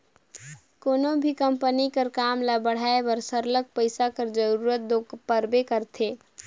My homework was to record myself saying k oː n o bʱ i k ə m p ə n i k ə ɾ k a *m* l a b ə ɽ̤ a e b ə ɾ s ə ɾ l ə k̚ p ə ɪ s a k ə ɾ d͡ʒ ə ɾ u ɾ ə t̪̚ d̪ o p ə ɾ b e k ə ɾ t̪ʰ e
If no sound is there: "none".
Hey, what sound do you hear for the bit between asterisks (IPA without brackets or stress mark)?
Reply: m